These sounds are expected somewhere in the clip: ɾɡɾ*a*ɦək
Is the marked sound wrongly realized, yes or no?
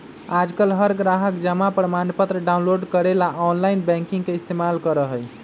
no